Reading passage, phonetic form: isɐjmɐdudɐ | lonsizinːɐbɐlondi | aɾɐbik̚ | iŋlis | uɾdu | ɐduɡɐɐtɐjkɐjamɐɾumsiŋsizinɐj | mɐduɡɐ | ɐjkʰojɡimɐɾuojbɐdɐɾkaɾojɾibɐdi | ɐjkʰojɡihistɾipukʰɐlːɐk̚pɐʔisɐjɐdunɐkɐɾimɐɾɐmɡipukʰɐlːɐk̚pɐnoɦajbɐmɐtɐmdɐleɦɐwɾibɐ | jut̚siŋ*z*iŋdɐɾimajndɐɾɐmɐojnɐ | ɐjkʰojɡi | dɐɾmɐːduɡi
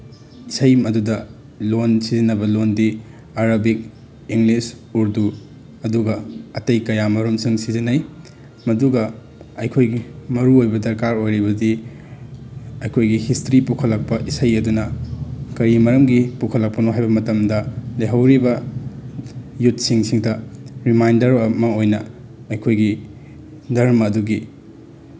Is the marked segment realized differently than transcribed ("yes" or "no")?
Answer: yes